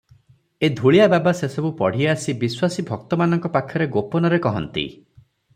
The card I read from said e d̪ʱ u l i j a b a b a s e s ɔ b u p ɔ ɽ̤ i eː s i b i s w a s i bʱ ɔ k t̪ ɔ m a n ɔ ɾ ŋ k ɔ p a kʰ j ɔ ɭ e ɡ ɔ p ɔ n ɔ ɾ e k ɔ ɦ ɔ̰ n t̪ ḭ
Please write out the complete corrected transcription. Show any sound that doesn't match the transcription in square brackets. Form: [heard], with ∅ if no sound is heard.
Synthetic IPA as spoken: e d̪ʱ u [ɭ] i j a b a b a s e s ɔ b u p ɔ ɽ̤ i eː s i b i s w a s i bʱ ɔ k t̪ ɔ m a n ɔ [∅] ŋ k ɔ p a kʰ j ɔ [ɾ] e ɡ [o] p ɔ n ɔ ɾ e k ɔ ɦ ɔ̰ n t̪ ḭ